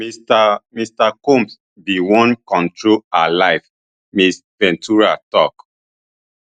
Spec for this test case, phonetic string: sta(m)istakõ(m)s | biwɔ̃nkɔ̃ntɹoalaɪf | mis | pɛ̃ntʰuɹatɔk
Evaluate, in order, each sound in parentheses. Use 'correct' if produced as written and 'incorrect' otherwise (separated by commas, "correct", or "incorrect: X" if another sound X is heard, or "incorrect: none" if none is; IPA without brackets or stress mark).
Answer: correct, correct